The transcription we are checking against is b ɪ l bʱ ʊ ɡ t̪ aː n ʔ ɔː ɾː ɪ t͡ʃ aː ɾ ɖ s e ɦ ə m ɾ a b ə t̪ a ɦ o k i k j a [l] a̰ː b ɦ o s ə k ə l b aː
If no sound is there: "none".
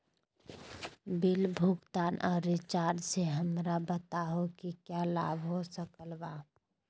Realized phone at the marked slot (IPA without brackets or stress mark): l